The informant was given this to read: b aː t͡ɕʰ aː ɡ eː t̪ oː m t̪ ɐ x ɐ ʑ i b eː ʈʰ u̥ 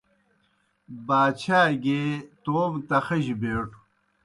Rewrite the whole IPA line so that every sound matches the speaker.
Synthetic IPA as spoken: b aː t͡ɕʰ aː ɡ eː t̪ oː m t̪ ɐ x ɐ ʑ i b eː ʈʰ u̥